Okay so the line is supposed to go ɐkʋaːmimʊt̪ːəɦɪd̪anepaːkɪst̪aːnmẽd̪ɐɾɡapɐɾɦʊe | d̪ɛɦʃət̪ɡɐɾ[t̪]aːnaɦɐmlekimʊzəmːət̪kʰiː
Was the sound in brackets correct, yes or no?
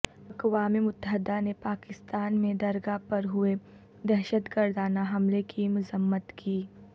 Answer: no